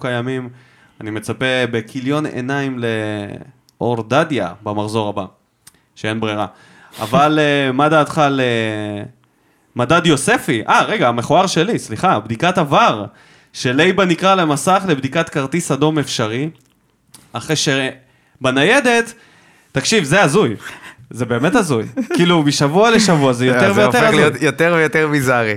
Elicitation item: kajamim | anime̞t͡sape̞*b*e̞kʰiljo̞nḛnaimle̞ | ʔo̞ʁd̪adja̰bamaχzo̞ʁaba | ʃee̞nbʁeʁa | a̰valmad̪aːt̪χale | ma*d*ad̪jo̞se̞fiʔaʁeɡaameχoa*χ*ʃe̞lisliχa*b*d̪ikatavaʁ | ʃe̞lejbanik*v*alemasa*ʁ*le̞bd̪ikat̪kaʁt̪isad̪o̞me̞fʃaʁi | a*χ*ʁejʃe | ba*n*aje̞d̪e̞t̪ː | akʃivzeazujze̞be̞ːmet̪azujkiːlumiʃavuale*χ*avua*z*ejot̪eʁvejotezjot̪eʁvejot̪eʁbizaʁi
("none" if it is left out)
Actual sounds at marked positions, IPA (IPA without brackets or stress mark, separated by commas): b, d, ʁ, b, ʁ, χ, χ, n, ʃ, z